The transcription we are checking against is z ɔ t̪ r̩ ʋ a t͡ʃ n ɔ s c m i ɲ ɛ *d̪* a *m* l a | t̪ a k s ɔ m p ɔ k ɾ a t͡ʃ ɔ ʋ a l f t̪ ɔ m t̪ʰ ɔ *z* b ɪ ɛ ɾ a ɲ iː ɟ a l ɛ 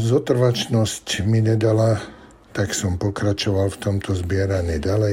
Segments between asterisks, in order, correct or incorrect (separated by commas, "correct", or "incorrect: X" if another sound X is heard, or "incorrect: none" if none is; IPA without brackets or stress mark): correct, incorrect: none, correct